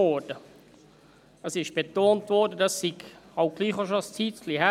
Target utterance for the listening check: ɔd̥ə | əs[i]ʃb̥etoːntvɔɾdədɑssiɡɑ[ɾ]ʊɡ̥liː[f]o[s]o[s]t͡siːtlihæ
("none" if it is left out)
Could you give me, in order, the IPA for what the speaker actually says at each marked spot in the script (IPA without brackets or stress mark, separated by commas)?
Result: ɪ, none, χ, ʃ, s